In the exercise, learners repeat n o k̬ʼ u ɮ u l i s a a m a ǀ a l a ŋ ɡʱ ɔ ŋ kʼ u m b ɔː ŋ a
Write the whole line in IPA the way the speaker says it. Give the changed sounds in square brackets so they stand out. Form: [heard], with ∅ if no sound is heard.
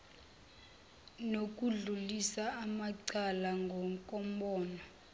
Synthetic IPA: n o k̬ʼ u ɮ u l i s a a m a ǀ a l a ŋ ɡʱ ɔ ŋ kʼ [ɔ] m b ɔː [n] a